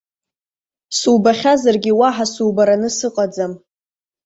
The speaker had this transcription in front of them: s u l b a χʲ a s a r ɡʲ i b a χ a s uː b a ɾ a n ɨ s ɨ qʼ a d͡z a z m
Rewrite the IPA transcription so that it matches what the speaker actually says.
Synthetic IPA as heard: s u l b a χʲ a z a r ɡʲ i w a ħ a s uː b a ɾ a n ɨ s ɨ qʼ a d͡z a m

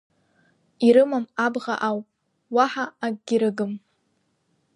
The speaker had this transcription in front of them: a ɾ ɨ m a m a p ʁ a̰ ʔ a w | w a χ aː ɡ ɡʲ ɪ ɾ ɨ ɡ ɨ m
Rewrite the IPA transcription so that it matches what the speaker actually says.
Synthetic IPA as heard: i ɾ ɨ m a m a b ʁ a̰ ʔ a w | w a ħ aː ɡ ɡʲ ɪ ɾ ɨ ɡ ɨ m

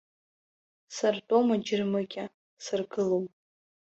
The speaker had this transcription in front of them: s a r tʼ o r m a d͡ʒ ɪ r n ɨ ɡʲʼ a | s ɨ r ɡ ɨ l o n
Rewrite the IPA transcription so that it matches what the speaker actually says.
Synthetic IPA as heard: s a r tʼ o m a d͡ʒ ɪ r m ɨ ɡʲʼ a | s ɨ r ɡ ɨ l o m

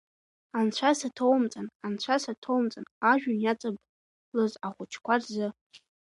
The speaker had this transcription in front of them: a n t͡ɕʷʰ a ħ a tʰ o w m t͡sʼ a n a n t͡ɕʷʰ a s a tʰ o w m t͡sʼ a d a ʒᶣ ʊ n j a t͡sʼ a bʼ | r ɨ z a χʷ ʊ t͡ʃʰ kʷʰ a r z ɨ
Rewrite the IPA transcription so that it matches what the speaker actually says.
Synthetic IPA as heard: a n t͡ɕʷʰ a s a tʰ o w m t͡sʼ a n a n t͡ɕʷʰ a s a tʰ o w m t͡sʼ a n a ʒᶣ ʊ n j a t͡sʼ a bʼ | l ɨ z a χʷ ʊ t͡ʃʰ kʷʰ a r z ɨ

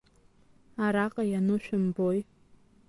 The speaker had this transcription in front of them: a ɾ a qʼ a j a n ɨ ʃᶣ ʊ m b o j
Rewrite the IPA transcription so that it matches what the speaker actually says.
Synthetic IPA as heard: a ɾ a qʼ a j a n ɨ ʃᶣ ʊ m b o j

